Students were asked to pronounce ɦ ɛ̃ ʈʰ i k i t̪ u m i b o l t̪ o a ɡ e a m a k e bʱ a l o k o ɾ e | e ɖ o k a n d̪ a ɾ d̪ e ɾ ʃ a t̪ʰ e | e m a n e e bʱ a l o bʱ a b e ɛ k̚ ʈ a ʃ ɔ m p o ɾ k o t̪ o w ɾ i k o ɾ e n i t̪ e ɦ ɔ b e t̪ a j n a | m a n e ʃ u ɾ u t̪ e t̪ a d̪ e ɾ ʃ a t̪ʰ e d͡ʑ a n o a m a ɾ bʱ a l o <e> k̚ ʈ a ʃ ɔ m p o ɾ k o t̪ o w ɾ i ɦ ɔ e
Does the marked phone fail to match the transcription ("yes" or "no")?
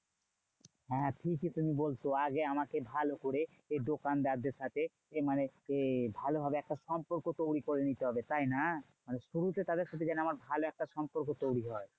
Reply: yes